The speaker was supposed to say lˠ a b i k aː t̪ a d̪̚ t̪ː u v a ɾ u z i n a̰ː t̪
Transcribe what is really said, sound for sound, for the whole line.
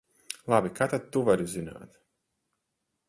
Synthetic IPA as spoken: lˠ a b i k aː t̪ a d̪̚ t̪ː u v a ɾ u z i n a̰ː t̪